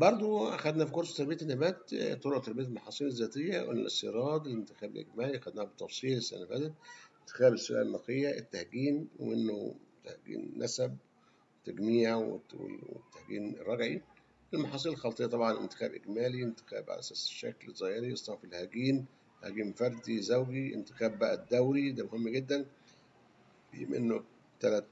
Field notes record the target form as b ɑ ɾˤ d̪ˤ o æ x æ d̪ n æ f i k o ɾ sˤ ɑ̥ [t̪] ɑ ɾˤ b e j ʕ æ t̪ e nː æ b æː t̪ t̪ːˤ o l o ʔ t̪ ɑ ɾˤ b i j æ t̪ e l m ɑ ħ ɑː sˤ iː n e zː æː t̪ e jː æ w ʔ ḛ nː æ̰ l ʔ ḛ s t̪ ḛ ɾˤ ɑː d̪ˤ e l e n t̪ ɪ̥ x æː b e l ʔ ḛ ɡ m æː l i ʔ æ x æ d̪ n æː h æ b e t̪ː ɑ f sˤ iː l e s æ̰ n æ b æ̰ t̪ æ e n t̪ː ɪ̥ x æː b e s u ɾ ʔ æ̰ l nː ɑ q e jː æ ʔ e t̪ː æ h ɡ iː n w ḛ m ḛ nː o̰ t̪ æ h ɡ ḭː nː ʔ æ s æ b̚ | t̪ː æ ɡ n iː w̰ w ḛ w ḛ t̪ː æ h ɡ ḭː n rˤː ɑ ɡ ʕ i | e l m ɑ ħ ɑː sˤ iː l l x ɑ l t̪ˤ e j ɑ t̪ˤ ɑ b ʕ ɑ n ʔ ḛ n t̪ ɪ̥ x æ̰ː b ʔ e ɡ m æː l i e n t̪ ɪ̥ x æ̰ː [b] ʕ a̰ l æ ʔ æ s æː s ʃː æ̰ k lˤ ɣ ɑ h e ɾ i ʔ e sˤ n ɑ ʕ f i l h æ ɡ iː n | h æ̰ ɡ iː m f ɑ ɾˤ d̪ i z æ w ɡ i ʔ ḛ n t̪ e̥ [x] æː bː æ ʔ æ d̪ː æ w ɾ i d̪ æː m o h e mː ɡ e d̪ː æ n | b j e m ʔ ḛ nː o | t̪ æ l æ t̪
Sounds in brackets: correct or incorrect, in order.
correct, correct, correct

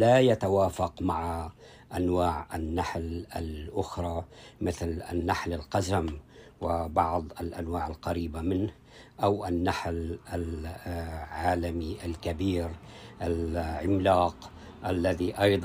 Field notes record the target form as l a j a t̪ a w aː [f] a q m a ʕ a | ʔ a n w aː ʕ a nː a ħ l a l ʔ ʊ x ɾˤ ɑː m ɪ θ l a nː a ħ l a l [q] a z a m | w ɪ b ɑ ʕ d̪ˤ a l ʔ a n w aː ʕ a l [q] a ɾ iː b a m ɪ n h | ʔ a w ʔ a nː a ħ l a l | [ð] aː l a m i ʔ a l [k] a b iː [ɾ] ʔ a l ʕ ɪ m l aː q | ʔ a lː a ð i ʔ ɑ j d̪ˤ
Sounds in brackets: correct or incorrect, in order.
correct, correct, correct, incorrect: ʕ, correct, correct

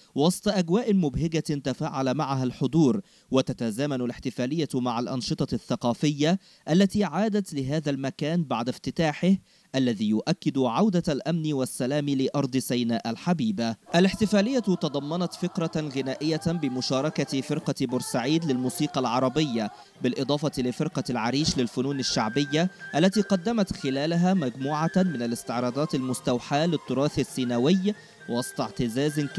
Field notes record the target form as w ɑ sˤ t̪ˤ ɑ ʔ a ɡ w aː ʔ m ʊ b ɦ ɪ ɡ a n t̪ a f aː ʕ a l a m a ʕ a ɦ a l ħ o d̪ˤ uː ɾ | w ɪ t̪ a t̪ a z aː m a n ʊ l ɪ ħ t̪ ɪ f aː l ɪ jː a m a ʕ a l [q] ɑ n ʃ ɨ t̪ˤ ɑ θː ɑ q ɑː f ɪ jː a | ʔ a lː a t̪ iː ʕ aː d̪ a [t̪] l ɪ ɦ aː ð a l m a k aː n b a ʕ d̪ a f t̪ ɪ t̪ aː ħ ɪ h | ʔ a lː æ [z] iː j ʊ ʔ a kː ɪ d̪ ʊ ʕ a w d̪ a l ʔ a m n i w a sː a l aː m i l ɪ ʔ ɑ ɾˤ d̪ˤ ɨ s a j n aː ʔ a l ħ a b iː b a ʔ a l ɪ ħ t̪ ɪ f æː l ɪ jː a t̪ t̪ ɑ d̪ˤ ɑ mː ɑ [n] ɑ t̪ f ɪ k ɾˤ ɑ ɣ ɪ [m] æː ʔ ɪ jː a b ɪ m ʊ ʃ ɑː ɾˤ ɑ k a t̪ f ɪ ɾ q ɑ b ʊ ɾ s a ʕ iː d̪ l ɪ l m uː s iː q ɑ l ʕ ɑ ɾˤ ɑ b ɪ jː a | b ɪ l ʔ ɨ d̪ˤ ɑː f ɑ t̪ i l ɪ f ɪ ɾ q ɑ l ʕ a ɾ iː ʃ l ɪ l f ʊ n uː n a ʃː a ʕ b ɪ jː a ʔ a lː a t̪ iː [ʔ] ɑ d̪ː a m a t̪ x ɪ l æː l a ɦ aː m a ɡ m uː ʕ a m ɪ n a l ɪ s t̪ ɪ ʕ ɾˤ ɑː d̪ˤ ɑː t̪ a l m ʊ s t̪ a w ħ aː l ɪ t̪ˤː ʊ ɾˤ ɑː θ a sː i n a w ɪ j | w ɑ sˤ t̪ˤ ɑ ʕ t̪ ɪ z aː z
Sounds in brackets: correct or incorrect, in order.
incorrect: ʔ, correct, incorrect: ð, correct, incorrect: n, incorrect: q

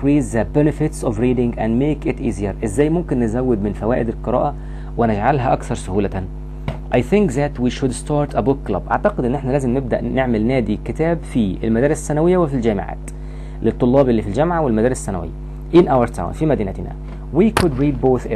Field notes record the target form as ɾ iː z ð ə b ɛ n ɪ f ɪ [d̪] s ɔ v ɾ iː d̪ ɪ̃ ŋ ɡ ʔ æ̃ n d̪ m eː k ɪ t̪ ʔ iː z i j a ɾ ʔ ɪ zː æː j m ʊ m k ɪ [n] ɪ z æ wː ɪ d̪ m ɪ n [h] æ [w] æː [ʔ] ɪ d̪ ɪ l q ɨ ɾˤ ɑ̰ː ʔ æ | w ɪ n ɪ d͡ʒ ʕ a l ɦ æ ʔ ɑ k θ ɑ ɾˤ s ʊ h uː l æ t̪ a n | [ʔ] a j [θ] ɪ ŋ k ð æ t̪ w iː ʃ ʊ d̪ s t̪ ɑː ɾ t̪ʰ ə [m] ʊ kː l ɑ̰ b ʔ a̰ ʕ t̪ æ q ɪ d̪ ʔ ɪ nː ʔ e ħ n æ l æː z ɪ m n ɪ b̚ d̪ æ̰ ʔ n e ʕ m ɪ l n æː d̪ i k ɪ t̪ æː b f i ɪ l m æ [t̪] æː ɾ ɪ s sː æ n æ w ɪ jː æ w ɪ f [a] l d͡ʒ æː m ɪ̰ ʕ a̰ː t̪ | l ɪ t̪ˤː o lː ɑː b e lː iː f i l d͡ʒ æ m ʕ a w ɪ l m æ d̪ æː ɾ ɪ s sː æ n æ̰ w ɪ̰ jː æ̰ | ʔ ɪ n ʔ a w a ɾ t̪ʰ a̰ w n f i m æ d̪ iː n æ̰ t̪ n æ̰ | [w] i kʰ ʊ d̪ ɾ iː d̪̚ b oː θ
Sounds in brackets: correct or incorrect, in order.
incorrect: t̪, incorrect: nː, incorrect: f, correct, correct, correct, correct, incorrect: b, incorrect: d̪, incorrect: i, correct

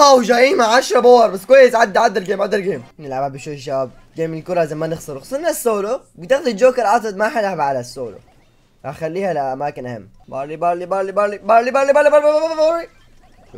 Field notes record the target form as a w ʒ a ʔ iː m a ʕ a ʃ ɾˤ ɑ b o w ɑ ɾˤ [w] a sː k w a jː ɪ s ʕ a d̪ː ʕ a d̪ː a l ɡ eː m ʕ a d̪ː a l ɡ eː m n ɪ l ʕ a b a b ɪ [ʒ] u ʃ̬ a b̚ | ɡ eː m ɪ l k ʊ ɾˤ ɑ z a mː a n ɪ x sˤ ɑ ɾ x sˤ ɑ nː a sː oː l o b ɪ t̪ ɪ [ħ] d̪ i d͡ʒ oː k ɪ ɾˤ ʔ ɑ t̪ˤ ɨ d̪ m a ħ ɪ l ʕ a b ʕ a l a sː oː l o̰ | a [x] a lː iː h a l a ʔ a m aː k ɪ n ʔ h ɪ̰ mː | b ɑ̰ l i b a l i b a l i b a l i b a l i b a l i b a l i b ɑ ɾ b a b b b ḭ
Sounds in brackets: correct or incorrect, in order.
incorrect: b, incorrect: ʃ, incorrect: x, correct

